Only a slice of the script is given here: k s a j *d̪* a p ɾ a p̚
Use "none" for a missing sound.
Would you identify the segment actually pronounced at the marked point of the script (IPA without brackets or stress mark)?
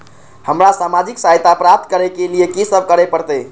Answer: t̪